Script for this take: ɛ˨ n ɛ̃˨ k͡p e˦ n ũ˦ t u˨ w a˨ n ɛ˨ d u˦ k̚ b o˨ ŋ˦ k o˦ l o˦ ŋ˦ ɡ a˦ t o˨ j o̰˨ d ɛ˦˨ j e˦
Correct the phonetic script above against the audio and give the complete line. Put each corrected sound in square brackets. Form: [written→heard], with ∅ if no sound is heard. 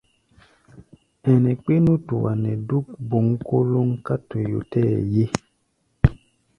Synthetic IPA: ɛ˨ n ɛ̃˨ k͡p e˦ n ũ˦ t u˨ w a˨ n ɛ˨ d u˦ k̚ b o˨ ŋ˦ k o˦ l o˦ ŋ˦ [ɡ→k] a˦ t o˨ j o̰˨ [d→t] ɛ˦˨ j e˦